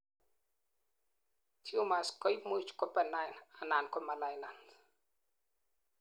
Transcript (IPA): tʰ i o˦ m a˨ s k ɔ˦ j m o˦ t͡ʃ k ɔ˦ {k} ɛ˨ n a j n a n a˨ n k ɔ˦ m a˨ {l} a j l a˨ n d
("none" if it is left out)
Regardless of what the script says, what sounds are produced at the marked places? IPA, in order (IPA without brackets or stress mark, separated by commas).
p, l